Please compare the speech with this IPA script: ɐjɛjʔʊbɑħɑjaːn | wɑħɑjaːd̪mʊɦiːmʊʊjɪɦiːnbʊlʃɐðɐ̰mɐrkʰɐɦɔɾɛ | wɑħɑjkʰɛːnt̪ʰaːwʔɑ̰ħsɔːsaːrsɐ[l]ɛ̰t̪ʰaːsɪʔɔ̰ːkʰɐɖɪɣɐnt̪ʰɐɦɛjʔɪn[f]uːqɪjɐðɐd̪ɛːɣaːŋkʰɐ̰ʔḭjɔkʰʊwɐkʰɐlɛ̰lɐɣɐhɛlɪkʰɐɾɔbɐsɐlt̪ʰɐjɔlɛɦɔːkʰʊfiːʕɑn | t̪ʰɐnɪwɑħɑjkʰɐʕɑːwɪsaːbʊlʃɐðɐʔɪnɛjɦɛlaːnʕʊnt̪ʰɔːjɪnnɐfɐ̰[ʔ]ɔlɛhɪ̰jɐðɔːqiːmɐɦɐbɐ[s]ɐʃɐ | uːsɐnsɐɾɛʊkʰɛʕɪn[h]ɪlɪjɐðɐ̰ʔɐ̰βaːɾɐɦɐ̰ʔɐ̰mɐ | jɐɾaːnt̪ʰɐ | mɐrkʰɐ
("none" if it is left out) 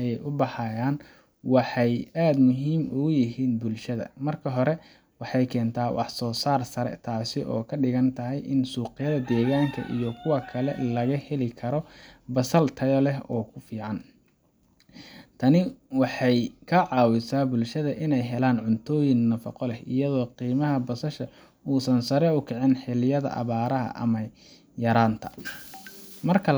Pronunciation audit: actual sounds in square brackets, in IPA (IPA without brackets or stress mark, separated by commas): ɾ, s, q, s, ħ